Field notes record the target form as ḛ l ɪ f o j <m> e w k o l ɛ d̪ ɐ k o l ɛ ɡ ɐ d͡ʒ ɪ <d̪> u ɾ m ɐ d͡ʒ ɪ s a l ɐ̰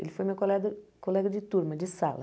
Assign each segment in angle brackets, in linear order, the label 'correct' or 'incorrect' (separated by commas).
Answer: correct, incorrect